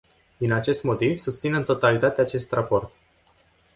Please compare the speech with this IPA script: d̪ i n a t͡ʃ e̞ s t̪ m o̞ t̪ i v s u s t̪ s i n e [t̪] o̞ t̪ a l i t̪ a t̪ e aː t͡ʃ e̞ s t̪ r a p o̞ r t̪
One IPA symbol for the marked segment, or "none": t̪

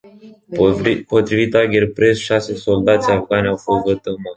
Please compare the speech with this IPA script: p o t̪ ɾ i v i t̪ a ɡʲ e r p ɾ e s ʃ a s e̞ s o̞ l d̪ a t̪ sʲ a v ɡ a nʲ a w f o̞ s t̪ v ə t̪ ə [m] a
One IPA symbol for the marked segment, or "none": m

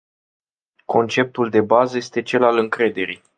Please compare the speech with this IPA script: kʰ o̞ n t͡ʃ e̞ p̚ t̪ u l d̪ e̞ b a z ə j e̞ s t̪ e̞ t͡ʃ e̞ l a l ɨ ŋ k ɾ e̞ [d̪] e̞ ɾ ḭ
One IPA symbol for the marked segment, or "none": d̪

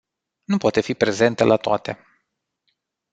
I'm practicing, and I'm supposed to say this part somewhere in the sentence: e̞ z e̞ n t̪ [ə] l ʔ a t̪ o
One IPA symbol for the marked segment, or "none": ə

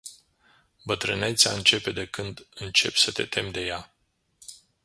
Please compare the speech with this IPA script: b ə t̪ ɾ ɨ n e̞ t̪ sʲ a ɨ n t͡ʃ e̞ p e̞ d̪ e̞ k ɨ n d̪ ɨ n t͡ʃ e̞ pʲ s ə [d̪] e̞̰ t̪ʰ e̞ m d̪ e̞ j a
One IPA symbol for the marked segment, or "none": t̪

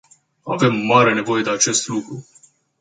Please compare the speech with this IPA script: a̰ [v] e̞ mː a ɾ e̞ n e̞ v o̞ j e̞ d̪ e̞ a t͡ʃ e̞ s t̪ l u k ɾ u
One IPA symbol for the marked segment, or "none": v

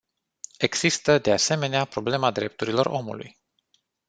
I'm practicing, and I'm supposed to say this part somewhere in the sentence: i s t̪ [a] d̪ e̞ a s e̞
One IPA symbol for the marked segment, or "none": ə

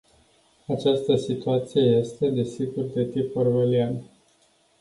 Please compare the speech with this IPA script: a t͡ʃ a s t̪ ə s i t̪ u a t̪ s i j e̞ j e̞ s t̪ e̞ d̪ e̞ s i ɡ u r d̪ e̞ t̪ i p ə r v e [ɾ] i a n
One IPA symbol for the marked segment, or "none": l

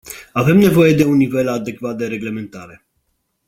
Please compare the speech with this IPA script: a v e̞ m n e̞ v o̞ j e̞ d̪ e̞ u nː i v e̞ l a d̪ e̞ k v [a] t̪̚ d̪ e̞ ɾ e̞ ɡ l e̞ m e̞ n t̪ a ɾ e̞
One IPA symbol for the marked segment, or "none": a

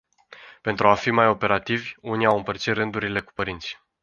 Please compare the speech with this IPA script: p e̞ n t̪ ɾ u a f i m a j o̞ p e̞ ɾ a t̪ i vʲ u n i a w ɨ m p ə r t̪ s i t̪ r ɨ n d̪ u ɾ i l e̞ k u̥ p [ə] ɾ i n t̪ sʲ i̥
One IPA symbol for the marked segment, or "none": ə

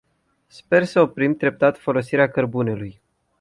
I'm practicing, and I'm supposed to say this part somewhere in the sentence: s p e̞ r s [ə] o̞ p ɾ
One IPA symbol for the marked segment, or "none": ə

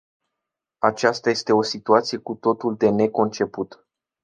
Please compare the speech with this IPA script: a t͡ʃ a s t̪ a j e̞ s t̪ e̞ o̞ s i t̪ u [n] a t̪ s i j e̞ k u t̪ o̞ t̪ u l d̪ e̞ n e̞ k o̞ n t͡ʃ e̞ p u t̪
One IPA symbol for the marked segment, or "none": none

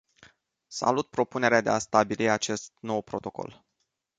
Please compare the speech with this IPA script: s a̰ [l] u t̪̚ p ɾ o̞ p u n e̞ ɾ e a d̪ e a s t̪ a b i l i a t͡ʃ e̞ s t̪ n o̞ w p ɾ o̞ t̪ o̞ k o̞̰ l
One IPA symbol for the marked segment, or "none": l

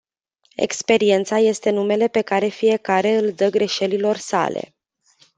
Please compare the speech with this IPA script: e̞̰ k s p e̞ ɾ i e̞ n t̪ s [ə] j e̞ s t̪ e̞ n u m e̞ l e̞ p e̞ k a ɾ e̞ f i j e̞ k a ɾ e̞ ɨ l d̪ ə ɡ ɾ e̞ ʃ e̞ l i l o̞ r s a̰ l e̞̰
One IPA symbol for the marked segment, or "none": a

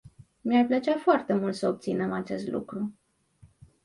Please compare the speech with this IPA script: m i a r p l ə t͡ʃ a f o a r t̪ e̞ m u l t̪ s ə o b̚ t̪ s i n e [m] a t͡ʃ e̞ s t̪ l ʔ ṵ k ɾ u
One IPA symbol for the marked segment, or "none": m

